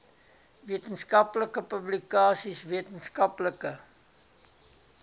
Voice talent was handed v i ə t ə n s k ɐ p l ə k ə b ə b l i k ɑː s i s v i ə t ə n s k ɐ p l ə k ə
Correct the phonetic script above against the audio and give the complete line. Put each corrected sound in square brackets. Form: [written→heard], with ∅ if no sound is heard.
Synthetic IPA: v i ə t ə n s k ɐ p l ə k ə [b→p] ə b l i k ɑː s i s v i ə t ə n s k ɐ p l ə k ə